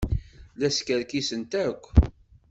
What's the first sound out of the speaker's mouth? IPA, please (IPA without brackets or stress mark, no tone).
l